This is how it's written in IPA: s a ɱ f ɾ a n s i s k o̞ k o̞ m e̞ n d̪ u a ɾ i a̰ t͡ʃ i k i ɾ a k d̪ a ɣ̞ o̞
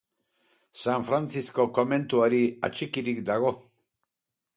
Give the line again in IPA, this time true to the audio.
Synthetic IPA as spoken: s a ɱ f ɾ a n t͡s i s k o̞ k o̞ m e̞ n t̪ u a ɾ i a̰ t͡ʃ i k i ɾ i k d̪ a ɣ̞ o̞